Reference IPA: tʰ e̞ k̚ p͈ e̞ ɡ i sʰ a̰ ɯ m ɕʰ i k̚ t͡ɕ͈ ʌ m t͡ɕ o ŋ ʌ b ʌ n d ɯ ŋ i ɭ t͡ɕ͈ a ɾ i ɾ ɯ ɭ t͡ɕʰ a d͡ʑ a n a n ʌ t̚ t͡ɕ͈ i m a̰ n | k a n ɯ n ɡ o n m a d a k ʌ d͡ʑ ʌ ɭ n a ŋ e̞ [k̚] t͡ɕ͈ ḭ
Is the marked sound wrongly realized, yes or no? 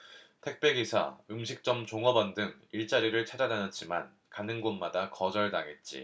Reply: yes